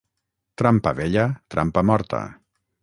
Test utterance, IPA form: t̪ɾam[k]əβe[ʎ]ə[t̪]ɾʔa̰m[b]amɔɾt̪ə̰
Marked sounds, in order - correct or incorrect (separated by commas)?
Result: incorrect, correct, correct, incorrect